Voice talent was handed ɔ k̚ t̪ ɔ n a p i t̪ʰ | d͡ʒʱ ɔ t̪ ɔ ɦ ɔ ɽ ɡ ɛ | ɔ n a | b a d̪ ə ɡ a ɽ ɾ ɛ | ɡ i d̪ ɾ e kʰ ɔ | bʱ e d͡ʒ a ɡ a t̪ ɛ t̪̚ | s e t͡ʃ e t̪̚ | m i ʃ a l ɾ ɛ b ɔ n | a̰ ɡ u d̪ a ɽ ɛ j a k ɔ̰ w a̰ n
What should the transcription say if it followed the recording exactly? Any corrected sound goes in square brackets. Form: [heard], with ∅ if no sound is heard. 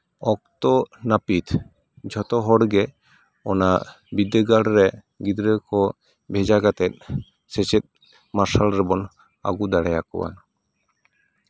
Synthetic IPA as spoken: ɔ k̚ t̪ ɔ n a p i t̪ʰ | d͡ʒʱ ɔ t̪ ɔ ɦ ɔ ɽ ɡ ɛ | ɔ n a | b [i] d̪ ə ɡ a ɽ ɾ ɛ | ɡ i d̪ ɾ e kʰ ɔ | bʱ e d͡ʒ a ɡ a t̪ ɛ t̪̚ | s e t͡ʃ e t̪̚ | m [a] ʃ a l ɾ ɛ b ɔ n | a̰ ɡ u d̪ a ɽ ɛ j a k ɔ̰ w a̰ n